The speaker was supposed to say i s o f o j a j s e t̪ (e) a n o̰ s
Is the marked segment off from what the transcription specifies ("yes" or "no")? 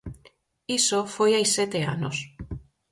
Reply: no